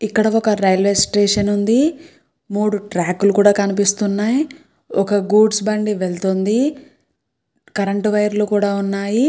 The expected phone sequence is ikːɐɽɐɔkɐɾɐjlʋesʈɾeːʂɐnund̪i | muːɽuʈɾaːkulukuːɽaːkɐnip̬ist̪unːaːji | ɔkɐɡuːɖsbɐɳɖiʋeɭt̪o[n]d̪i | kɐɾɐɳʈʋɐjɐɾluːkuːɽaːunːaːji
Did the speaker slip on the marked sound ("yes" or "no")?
no